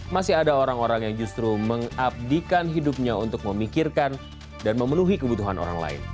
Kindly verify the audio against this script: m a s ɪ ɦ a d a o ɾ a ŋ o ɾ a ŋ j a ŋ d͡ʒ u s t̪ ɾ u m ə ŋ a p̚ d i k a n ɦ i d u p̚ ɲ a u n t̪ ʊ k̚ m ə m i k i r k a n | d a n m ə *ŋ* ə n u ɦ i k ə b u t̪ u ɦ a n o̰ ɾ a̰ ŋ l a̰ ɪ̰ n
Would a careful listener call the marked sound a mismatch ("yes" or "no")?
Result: yes